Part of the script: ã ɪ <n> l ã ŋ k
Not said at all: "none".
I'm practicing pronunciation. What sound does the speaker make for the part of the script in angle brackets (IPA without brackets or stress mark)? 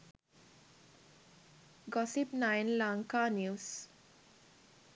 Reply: n